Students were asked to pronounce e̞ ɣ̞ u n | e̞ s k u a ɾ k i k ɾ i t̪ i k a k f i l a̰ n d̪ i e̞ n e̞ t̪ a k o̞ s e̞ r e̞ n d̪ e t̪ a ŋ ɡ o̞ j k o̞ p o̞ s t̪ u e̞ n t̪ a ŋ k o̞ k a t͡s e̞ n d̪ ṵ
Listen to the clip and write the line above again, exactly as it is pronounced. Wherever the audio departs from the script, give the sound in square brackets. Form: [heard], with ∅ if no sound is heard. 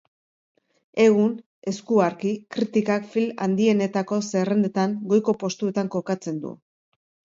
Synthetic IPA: e̞ ɣ̞ u n | e̞ s k u a ɾ k i k ɾ i t̪ i k a k f i l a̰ n d̪ i e̞ n e̞ t̪ a k o̞ s e̞ r e̞ n d̪ e t̪ a ŋ ɡ o̞ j k o̞ p o̞ s t̪ u e̞ [∅] t̪ a ŋ k o̞ k a t͡s e̞ n d̪ ṵ